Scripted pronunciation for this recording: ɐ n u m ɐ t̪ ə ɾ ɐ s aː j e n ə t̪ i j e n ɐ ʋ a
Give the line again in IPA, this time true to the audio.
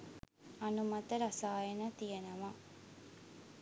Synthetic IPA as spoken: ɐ n u m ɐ t̪ ə ɾ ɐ s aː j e n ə t̪ i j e n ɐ ʋ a